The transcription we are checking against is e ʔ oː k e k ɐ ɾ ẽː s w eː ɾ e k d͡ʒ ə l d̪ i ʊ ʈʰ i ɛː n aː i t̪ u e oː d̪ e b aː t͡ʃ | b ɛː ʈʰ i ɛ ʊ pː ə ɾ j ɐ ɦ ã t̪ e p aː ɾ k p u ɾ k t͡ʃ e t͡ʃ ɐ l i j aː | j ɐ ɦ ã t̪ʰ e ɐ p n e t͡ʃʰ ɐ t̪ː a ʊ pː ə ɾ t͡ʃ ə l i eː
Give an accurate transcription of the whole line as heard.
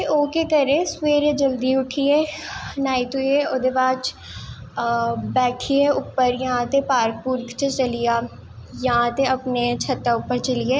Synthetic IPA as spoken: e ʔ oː k e k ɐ ɾ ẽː s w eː ɾ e d͡ʒ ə l d̪ i ʊ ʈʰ i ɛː n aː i t̪ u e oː d̪ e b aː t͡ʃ | b ɛː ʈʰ i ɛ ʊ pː ə ɾ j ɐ ɦ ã t̪ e p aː ɾ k p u ɾ k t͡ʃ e t͡ʃ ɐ l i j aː | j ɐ ɦ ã t̪ e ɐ p n e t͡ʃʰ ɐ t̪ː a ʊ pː ə ɾ t͡ʃ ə l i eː